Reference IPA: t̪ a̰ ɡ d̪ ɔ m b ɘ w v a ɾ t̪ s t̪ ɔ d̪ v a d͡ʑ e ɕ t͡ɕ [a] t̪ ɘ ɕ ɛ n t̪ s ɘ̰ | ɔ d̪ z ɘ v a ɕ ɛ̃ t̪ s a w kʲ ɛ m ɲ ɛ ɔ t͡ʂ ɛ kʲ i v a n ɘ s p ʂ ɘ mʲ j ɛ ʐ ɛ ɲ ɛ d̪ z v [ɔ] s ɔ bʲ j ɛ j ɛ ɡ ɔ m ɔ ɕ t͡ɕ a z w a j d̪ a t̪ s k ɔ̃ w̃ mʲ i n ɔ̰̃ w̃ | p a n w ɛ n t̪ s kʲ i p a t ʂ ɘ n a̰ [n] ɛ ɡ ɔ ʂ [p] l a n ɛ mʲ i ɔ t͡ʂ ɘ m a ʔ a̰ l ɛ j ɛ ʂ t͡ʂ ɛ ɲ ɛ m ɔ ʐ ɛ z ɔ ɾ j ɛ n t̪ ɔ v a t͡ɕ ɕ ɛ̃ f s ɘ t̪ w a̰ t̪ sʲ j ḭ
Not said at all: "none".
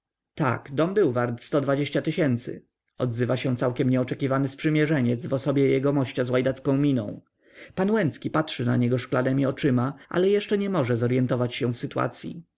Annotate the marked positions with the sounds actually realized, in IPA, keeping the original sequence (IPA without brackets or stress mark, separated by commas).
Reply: a, ɔ, ɲ, k